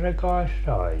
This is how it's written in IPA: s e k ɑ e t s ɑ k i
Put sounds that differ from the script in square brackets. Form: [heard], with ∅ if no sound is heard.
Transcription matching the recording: s e k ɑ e [s] s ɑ [∅] i

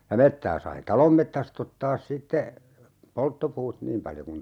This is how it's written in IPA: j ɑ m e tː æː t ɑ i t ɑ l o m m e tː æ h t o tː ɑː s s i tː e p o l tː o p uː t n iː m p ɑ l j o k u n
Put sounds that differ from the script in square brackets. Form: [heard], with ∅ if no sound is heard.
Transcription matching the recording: j ɑ m e tː æː [s] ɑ i t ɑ l o m m e tː æ [s] t o tː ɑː s s i tː e p o l tː o p uː t n iː m p ɑ l j o k u n

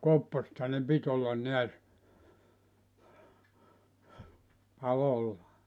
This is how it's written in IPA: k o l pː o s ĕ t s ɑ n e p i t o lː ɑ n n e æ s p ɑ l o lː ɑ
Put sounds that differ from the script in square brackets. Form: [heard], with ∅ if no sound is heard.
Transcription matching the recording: k o [∅] pː o s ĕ t [h] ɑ n e p i t o lː ɑ n n e æ s p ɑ l o lː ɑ

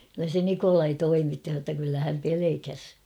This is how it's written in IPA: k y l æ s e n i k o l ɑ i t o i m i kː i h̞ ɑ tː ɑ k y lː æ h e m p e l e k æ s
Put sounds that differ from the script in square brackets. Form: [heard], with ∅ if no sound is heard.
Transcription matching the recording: k y [lː] æ s e n i k o l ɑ i t o i m i [tː] i h̞ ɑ tː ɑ k y lː æ h [æ] m p e l e k æ s

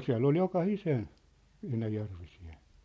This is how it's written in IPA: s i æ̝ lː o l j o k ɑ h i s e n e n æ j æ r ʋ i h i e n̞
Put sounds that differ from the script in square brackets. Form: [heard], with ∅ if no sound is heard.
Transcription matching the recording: s i æ̝ lː o l j o k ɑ h i s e n e n æ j æ r ʋ i [s] i e n̞

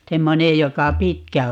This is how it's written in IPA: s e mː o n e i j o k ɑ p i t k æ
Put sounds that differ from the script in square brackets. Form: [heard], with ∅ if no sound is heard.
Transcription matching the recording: s e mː o n e [j] j o k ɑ p i t k æ

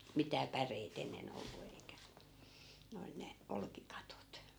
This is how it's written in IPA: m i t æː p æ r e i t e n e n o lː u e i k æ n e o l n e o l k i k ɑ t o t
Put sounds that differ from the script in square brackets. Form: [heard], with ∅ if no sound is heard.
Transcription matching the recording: m i t æː p æ r e i t e [nː] e n o lː u e i k æ n e o l n e o l k i k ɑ t o t

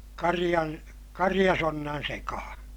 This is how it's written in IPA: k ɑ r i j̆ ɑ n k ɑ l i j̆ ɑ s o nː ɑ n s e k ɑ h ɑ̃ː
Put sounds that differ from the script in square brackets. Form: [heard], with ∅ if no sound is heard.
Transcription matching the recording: k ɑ r i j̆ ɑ n k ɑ [r] i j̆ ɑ s o nː ɑ n s e k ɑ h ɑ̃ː

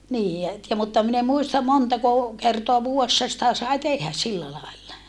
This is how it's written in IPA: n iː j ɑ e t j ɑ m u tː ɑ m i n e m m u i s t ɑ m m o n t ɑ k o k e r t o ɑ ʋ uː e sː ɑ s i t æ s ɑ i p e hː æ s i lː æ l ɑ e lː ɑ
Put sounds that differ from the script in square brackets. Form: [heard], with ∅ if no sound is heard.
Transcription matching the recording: n iː j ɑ e t j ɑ m u tː ɑ m i n e m m u i s t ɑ m m o n t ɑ k o k e r t o ɑ ʋ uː e sː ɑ s i t æ s ɑ i [t] e hː æ s i lː æ l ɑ e lː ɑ

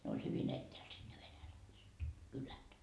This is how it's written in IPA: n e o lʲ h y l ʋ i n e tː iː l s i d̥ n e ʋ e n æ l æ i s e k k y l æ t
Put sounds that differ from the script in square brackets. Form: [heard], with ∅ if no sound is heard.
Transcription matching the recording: n e o lʲ h y [∅] ʋ i n e tː [æː] l s i d̥ n e ʋ e n æ l æ i s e [t] k y l æ t

